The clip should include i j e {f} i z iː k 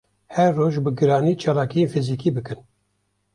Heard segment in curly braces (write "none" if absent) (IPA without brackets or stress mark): f